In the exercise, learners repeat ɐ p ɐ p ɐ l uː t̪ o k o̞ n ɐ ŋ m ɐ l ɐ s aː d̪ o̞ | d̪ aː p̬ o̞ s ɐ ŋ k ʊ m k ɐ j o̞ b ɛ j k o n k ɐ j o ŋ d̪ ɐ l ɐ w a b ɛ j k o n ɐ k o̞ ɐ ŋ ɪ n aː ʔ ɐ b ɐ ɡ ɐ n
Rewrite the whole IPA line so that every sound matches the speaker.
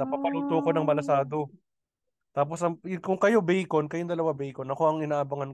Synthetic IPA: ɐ p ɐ p ɐ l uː t̪ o k o̞ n ɐ ŋ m ɐ l ɐ s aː d̪ o̞ | t̪ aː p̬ o̞ s ɐ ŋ k ʊ ŋ k ɐ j o̞ b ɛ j k o n k ɐ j o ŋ d̪ ɐ l ɐ w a b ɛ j k o n ɐ k o̞ ɐ ŋ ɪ n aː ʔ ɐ b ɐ ŋ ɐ n